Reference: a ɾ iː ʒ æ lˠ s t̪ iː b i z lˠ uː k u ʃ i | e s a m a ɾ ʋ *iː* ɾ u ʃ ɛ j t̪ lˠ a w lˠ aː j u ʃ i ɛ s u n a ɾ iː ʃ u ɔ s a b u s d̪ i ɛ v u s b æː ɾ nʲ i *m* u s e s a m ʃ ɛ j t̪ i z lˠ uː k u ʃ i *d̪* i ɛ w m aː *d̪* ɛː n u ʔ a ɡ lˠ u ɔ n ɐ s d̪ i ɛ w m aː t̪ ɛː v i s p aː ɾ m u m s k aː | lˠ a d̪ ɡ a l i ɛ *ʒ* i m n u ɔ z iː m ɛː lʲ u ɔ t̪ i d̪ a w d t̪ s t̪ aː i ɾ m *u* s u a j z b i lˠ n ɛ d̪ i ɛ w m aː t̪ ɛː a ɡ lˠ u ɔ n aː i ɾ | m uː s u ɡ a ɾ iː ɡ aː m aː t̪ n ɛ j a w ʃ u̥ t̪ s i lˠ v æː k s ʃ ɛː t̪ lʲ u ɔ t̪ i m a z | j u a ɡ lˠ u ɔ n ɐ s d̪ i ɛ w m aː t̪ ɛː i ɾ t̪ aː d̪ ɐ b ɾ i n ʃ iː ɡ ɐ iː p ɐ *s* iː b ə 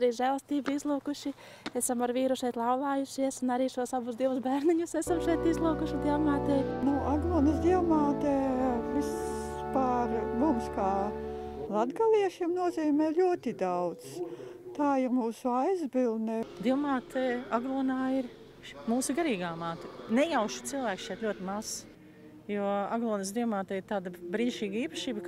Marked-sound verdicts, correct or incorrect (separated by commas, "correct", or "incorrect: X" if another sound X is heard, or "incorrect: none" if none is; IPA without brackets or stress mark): correct, incorrect: ɲ, correct, incorrect: t̪, incorrect: ʃ, incorrect: uː, incorrect: ʃ